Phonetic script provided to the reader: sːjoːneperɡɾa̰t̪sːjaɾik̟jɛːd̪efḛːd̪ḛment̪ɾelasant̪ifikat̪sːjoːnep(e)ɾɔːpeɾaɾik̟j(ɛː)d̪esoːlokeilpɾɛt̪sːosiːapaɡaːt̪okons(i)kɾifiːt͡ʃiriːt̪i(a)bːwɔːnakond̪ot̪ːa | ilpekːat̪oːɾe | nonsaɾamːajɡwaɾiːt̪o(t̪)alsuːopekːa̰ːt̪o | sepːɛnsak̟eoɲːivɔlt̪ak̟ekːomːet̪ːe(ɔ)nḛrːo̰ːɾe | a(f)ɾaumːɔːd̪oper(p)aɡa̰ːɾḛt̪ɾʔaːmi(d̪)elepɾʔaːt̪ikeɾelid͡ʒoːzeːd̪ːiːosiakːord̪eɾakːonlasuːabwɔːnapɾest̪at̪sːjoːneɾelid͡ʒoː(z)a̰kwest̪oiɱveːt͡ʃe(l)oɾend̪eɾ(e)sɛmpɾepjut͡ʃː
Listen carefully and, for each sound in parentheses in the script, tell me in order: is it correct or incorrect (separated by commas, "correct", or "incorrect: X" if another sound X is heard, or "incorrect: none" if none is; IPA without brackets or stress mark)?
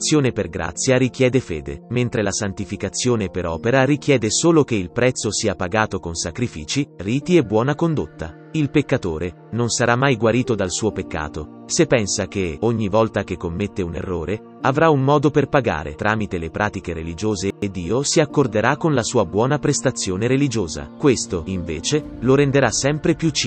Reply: correct, correct, incorrect: a, incorrect: e, incorrect: d̪, incorrect: u, incorrect: v, correct, incorrect: t̪, correct, correct, incorrect: a